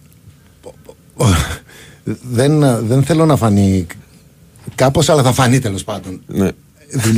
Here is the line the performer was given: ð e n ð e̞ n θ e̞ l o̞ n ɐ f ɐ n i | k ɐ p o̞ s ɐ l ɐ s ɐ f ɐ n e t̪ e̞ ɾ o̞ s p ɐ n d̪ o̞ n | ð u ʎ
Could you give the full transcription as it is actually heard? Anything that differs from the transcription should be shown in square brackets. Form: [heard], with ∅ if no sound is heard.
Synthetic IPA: ð e n ð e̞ n θ e̞ l o̞ n ɐ f ɐ n i | k ɐ p o̞ s ɐ l ɐ [θ] ɐ f ɐ n [i] t̪ e̞ [l] o̞ s p ɐ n d̪ o̞ n | ð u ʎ